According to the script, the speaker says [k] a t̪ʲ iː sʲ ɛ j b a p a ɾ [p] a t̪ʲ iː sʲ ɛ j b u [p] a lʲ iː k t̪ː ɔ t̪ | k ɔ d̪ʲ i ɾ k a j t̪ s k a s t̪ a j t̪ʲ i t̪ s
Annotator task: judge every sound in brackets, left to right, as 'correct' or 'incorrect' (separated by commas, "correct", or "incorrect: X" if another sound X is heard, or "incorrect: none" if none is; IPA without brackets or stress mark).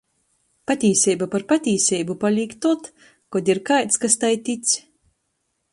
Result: incorrect: p, correct, correct